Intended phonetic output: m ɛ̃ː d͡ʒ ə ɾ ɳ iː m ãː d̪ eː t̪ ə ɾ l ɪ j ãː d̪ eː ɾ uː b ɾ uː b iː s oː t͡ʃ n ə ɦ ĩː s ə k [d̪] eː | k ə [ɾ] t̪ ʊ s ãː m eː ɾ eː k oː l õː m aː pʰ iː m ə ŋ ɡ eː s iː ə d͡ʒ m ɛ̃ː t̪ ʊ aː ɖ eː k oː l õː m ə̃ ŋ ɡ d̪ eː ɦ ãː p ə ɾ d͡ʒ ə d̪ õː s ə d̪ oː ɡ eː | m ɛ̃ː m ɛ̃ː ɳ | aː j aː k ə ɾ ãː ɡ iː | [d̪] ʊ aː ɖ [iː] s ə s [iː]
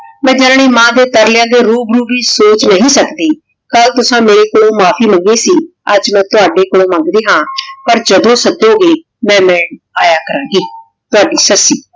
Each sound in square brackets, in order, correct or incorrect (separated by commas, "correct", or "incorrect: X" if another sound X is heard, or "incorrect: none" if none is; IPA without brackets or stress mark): correct, incorrect: l, incorrect: t̪, correct, correct